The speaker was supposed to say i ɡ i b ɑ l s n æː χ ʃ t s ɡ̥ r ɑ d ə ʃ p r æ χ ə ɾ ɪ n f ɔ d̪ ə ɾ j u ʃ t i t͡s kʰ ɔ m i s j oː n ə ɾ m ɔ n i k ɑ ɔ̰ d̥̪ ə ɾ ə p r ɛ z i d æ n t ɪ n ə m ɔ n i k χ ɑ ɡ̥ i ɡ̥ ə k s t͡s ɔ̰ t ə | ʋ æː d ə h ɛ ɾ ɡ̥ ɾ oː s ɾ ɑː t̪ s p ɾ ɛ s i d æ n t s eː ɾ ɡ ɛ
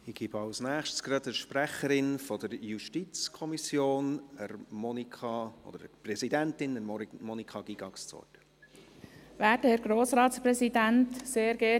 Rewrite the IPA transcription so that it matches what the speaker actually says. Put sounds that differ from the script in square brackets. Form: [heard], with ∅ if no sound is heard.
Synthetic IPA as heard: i ɡ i b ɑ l s n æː χ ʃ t s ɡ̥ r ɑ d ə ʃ p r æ χ ə ɾ ɪ n f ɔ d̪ ə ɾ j u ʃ t i t͡s kʰ ɔ m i s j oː n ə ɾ m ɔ n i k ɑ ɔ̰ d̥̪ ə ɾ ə p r ɛ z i d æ n t ɪ n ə m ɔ n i k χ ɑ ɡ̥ i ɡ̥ [ɑ] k s t͡s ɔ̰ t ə | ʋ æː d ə h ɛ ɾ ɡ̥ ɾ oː s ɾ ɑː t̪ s p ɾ ɛ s i d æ n t s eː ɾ ɡ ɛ